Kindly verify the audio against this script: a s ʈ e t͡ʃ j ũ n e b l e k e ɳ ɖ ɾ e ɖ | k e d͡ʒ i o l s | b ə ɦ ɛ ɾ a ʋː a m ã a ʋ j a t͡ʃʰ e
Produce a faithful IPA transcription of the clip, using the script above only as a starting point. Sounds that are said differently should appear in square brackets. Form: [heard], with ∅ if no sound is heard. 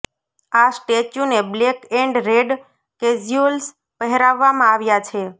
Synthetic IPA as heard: a s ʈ e t͡ʃ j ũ n e b l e k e ɳ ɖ ɾ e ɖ | k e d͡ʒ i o l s | [p] ə ɦ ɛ ɾ a ʋː a m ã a ʋ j a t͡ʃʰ e